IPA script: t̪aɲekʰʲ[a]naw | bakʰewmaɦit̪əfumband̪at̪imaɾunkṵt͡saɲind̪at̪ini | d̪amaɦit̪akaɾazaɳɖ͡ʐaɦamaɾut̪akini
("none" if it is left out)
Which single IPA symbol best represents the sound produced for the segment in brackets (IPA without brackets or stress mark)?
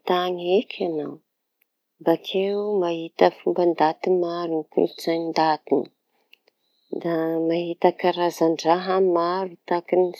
a